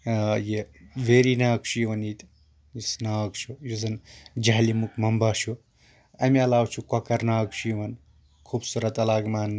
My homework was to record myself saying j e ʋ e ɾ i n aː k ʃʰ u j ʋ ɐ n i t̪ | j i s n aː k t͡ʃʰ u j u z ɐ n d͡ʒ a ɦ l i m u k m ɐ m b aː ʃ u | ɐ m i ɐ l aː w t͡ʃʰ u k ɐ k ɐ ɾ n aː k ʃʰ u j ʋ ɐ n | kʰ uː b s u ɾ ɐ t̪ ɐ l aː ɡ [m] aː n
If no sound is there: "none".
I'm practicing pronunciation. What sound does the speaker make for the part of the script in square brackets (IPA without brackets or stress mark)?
m